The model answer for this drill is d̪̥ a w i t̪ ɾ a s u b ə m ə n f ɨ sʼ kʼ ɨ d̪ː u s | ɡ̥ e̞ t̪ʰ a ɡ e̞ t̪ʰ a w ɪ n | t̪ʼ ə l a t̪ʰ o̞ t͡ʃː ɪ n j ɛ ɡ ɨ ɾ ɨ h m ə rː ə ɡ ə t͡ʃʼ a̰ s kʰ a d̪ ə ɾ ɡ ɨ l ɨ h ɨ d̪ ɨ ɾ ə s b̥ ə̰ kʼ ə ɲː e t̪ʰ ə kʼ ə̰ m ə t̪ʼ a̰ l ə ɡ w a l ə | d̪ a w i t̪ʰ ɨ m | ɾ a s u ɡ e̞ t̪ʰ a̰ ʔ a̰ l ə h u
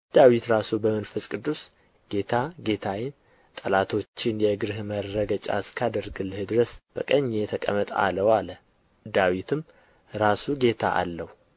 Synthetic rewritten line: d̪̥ a w i t̪ ɾ a s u b ə m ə n f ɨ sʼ kʼ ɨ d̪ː u s | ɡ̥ e̞ t̪ʰ a ɡ e̞ t̪ʰ a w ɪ n | t̪ʼ ə l a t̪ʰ o̞ t͡ʃː ɪ n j ɛ ɡ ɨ ɾ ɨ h m ə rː ə ɡ ə t͡ʃʼ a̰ s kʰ a d̪ ə ɾ ɡ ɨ l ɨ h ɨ d̪ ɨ ɾ ə s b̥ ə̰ kʼ ə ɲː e t̪ʰ ə kʼ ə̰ m ə t̪ʼ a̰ l ə w a l ə | d̪ a w i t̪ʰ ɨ m | ɾ a s u ɡ e̞ t̪ʰ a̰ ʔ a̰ lː ə h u

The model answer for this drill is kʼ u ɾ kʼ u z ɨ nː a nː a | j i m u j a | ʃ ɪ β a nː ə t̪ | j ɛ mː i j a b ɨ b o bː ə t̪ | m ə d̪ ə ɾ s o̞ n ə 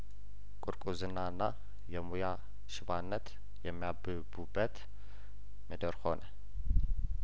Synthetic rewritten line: kʼ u ɾ kʼ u z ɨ nː a nː a | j ɛ m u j a | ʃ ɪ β a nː ə t̪ | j ɛ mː i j a b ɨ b u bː ə t̪ | m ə d̪ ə ɾ h o̞ n ə

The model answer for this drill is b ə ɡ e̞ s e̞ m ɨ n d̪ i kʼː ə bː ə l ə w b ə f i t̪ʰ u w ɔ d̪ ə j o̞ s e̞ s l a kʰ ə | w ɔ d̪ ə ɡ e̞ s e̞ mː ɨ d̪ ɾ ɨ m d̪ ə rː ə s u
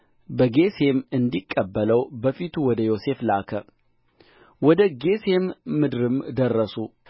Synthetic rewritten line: b ə ɡ e̞ s e̞ m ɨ n d̪ i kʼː ə bː ə l ə w b ə f i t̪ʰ u w ɔ d̪ ə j o̞ s e̞ f l a kʰ ə | w ɔ d̪ ə ɡ e̞ s e̞ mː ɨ d̪ ɾ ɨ m d̪ ə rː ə s u

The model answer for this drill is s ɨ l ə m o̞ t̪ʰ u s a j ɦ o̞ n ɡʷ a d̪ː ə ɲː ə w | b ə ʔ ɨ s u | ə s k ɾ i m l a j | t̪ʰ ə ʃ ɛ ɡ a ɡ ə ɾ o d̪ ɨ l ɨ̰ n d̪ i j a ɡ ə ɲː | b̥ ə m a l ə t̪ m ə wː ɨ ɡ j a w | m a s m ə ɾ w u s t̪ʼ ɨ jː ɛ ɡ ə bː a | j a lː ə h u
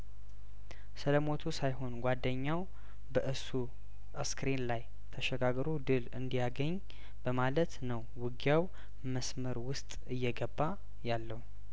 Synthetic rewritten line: s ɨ l ə m o̞ t̪ʰ u s a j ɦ o̞ n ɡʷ a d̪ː ə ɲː a w | b ə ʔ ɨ s u | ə s k ɾ i n l a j | t̪ʰ ə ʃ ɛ ɡ a ɡ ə ɾ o d̪ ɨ l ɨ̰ n d̪ i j a ɡ ə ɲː | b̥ ə m a l ə t̪ n ə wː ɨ ɡ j a w | m ə s m ə ɾ w ʊ s t̪ʼ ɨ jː ɛ ɡ ə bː a | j a lː ə h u

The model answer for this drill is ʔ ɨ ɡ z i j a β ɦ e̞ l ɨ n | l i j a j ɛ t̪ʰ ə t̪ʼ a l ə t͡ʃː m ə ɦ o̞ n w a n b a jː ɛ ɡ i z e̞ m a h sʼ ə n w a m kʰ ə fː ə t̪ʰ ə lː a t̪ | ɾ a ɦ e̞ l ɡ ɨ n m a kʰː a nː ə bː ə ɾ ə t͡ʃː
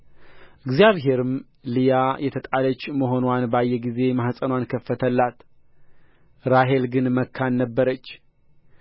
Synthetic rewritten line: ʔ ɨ ɡ z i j a β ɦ e̞ ɾ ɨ m | l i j a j ɛ t̪ʰ ə t̪ʼ a l ə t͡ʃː m ə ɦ o̞ n w a n b a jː ɛ ɡ i z e̞ m a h sʼ ə n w a n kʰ ə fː ə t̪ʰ ə lː a t̪ | ɾ a ɦ e̞ l ɡ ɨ n m ə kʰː a nː ə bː ə ɾ ə t͡ʃː

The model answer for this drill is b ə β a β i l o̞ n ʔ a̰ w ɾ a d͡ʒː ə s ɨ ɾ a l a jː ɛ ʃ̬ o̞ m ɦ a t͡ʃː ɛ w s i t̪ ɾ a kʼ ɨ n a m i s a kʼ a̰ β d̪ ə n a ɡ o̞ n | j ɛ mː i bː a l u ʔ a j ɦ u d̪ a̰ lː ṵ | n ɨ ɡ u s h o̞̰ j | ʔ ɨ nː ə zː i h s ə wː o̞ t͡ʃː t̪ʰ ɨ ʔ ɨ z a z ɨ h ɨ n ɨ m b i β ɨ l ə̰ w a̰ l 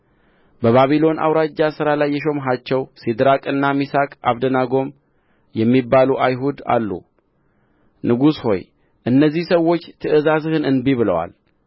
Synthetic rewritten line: b ə β a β i l o̞ n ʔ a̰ w ɾ a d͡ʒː a s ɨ ɾ a l a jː ɛ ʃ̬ o̞ m ɦ a t͡ʃː ɛ w s i d̪ ɾ a kʼ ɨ nː a m i s a kʼ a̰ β d̪ ə n a ɡ o̞ m | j ɛ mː i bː a l u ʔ a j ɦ u d̪ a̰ lː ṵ | n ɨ ɡ u s h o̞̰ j | ʔ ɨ nː ə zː i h s ə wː o̞ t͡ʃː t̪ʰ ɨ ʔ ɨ z a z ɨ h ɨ n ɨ n b i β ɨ l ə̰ w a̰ l

